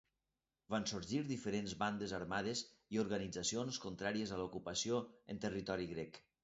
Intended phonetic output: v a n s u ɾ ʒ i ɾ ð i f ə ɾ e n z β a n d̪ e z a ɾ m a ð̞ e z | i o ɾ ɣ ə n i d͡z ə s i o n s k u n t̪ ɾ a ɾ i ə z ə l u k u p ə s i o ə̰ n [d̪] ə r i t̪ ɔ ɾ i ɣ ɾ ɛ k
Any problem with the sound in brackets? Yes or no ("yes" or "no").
yes